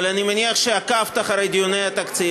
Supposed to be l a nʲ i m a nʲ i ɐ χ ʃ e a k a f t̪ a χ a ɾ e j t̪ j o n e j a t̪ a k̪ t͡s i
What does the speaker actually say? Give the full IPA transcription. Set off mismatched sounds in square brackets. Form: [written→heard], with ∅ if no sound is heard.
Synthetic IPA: l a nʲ i m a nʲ i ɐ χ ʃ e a k a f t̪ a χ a ɾ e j [t̪→d̪] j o n e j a t̪ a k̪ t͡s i